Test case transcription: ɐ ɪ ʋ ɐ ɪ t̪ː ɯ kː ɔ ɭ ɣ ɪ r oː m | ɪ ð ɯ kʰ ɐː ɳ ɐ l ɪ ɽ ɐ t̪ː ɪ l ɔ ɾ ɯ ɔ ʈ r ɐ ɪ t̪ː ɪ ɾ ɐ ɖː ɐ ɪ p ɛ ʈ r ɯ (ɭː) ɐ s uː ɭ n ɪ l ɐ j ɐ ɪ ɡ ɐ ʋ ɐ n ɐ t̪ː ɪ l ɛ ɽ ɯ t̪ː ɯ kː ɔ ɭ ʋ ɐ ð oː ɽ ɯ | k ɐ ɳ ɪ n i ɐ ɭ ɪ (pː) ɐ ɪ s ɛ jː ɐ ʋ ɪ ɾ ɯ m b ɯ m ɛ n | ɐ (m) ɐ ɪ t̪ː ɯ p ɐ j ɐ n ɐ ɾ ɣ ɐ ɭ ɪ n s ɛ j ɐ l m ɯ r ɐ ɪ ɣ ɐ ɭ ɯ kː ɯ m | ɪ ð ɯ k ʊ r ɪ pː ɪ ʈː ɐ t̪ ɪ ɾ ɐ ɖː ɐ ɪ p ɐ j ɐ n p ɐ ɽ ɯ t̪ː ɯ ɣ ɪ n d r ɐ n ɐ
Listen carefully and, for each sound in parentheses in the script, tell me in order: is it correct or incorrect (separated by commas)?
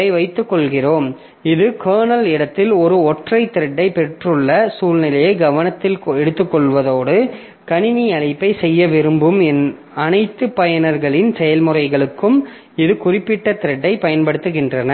correct, correct, incorrect